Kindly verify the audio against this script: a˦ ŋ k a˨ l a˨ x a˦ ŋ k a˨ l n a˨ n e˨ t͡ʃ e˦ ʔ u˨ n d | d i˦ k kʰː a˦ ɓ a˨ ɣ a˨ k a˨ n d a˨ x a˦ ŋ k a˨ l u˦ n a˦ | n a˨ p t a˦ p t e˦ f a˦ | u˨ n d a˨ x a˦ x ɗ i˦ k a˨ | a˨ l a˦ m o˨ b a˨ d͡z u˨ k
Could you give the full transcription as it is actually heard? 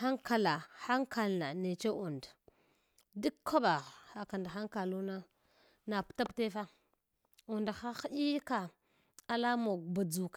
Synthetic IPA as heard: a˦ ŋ k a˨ l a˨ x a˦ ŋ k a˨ l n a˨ n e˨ t͡ʃ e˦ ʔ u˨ n d | d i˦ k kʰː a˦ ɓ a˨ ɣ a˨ k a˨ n d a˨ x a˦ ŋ k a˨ l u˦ n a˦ | n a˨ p t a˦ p t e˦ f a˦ | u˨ n d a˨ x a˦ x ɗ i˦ k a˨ | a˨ l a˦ m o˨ b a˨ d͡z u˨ k